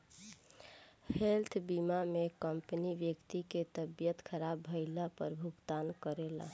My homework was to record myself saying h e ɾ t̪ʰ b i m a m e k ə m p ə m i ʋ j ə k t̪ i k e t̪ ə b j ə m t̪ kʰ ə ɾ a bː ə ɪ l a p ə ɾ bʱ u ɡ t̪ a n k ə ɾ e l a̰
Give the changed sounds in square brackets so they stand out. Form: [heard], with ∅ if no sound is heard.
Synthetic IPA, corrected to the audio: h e [l] t̪ʰ b i m a m e k ə m p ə [n] i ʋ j ə k t̪ i k e t̪ ə b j ə [∅] t̪ kʰ ə ɾ a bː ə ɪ l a p ə ɾ bʱ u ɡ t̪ a n k ə ɾ e l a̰